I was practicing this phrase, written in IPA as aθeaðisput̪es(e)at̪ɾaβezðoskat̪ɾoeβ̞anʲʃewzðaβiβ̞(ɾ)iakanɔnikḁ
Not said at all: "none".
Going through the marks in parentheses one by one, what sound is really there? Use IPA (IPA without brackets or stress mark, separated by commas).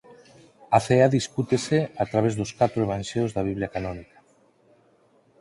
e, l